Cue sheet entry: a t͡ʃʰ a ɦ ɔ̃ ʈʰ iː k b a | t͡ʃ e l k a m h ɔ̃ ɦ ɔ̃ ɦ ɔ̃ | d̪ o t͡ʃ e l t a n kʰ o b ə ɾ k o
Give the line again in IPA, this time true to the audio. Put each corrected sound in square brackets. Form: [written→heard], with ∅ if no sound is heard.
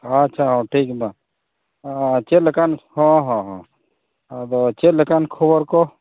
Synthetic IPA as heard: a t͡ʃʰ a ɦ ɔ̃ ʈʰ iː k b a | t͡ʃ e l k a [m→n] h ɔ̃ ɦ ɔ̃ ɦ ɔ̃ | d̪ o t͡ʃ e l [t→k] a n kʰ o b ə ɾ k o